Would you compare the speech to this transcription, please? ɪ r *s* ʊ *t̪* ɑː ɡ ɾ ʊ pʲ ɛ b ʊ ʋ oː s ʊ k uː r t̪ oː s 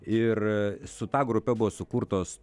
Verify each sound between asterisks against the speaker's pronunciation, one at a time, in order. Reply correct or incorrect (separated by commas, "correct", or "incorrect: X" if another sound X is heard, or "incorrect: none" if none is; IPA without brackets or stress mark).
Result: correct, correct